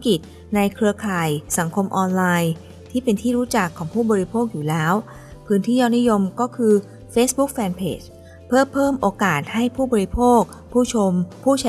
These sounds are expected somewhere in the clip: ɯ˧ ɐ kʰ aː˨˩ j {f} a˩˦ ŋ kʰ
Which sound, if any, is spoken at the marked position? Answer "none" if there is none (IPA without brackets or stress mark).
s